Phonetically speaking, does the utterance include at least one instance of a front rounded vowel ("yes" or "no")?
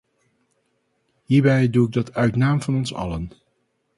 yes